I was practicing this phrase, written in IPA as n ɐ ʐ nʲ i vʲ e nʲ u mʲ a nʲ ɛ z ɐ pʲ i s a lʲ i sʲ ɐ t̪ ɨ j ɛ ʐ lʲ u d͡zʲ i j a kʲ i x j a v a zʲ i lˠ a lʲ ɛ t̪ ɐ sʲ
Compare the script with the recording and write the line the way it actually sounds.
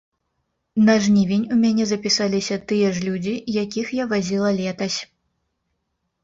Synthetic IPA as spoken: n ɐ ʐ nʲ i vʲ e nʲ u mʲ a nʲ ɛ z ɐ pʲ i s a lʲ i sʲ ɐ t̪ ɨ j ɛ ʐ lʲ u d͡zʲ i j a kʲ i x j a v a zʲ i lˠ ɐ lʲ ɛ t̪ ɐ sʲ